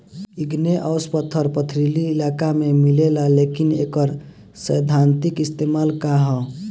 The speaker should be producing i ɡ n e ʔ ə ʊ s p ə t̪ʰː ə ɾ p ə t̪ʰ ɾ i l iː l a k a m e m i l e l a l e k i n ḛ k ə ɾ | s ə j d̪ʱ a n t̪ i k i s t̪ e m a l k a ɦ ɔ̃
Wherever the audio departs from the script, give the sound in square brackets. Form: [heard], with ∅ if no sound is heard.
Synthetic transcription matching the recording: i ɡ n e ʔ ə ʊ s p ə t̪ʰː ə ɾ p ə t̪ʰ ɾ i l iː l a k a m e m i l e l a l e k i n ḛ k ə ɾ | s ə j d̪ʱ a n t̪ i k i s t̪ e m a l k a ɦ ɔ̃